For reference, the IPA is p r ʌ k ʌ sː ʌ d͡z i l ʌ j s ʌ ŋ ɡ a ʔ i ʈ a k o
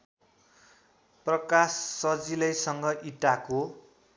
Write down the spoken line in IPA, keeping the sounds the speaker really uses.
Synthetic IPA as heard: p r ʌ k a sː ʌ d͡z i l ʌ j s ʌ ŋ ɡ ʌ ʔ i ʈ a k o